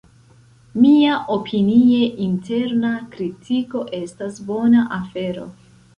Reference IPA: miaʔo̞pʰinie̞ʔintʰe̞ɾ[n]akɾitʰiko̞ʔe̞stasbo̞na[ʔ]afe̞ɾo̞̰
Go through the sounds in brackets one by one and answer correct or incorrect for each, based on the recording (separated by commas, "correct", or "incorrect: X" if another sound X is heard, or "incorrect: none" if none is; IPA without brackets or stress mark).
correct, correct